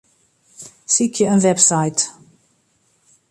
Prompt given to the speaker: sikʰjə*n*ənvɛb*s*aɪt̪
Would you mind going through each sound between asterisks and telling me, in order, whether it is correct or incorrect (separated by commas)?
incorrect, correct